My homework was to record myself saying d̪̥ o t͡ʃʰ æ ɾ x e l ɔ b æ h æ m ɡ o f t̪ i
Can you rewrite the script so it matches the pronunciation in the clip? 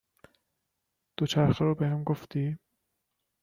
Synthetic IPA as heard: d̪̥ o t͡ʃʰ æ ɾ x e ɾ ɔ b e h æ m ɡ o f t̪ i